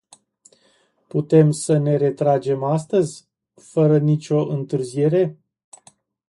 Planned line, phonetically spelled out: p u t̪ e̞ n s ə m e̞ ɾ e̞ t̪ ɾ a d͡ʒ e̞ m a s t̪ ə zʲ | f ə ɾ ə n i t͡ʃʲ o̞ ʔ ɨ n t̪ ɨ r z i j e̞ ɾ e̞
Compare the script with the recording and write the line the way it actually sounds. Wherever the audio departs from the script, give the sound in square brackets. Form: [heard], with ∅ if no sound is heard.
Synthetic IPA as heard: p u t̪ e̞ [m] s ə [n] e̞ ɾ e̞ t̪ ɾ a d͡ʒ e̞ m a s t̪ ə zʲ | f ə ɾ ə n i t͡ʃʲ o̞ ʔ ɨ n t̪ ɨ r z i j e̞ ɾ e̞